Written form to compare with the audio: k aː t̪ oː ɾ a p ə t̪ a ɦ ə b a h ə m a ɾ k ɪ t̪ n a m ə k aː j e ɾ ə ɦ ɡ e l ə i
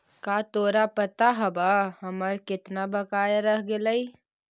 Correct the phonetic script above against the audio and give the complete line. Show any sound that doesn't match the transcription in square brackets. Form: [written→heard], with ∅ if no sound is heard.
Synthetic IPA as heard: k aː t̪ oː ɾ a p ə t̪ a ɦ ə b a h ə m [a→ə] ɾ k ɪ t̪ n a [m→b] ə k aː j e ɾ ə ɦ ɡ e l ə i